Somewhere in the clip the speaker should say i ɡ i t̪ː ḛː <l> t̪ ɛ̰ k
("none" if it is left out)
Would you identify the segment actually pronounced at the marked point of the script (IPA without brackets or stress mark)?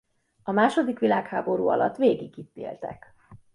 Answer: l